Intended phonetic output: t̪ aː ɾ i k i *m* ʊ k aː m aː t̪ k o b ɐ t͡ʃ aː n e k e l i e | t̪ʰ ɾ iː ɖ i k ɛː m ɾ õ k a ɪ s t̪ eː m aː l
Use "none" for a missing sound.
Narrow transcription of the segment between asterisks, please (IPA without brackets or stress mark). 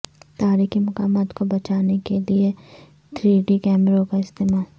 m